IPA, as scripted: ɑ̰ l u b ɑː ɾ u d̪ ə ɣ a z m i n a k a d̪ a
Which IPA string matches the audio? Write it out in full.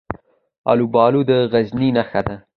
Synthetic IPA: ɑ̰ l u b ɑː l u d̪ ə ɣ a z n i n a x a d̪ a